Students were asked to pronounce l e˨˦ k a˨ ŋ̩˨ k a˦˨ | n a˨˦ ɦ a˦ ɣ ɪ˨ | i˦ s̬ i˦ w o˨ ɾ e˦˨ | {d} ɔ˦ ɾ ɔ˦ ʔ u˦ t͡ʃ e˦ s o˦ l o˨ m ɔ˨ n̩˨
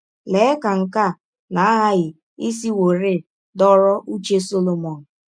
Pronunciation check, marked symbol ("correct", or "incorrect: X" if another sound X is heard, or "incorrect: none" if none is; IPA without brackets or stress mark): correct